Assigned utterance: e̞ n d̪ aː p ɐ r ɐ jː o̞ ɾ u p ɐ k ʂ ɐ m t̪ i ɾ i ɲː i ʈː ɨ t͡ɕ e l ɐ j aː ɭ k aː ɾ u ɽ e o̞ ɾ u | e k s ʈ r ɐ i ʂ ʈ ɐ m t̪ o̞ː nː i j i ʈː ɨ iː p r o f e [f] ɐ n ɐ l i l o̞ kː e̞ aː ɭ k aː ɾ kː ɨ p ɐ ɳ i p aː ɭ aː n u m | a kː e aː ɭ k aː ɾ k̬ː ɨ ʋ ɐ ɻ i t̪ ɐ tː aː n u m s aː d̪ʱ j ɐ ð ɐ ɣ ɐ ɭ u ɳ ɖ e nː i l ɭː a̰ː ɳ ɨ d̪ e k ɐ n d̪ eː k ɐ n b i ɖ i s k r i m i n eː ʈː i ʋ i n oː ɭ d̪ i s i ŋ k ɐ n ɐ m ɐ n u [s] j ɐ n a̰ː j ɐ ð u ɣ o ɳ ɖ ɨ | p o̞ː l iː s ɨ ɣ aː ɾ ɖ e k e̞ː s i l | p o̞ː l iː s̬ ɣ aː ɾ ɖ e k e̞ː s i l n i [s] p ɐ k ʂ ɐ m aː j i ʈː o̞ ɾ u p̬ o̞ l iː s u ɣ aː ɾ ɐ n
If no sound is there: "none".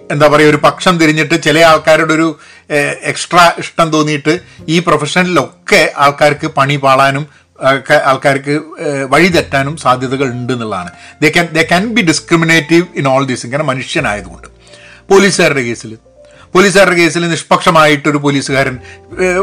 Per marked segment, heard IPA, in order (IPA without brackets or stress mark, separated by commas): ʂ, ʂ, ʂ